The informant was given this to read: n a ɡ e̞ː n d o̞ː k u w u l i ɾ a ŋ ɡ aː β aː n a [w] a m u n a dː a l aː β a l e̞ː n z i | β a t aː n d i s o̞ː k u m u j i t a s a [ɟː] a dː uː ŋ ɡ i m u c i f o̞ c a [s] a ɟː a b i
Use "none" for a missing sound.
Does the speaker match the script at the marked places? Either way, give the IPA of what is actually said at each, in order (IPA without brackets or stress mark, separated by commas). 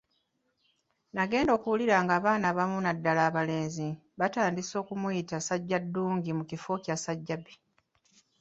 β, ɟː, s